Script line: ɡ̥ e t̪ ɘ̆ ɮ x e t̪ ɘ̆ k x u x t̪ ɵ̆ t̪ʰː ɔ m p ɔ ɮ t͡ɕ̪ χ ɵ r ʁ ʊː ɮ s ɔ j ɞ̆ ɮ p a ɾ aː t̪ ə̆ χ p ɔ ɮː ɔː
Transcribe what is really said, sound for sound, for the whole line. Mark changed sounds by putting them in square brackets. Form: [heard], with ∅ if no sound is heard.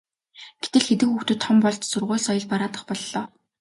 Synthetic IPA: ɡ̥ e t̪ ɘ̆ ɮ x e t̪ ɘ̆ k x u x t̪ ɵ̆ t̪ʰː ɔ m p ɔ ɮ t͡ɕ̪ [s] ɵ r ʁ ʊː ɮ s ɔ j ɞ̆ ɮ p a ɾ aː t̪ ə̆ χ p ɔ ɮː ɔː